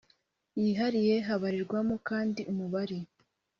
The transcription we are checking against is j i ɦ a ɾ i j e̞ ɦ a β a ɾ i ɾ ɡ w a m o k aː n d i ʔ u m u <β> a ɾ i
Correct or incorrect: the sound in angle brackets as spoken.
correct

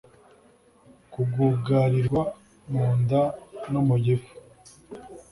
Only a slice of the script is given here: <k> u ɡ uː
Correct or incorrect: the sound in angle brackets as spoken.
correct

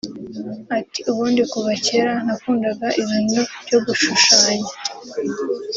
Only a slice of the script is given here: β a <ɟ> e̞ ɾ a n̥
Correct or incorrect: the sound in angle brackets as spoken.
incorrect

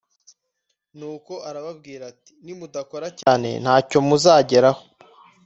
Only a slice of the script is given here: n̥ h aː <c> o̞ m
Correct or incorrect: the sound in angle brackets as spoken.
correct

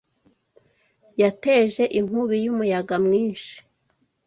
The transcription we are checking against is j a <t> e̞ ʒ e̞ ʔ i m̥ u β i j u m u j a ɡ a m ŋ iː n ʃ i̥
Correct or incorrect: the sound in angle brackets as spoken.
correct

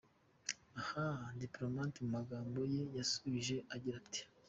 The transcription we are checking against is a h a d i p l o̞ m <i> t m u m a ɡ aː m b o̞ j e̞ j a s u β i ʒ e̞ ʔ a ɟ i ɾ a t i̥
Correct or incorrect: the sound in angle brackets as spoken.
incorrect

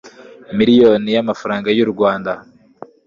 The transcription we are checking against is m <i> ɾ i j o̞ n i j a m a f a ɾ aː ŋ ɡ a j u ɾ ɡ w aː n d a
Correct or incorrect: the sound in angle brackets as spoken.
correct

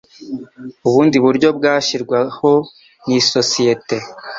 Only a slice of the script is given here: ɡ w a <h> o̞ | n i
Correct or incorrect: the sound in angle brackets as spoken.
correct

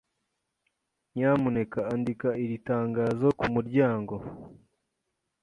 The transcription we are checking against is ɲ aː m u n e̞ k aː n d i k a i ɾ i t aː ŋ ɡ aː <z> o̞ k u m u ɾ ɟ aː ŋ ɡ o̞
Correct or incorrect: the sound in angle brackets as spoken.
correct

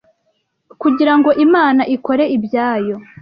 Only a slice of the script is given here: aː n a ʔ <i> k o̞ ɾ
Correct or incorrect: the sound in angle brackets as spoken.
correct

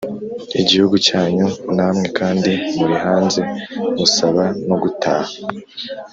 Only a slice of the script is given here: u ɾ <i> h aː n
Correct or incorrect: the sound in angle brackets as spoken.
correct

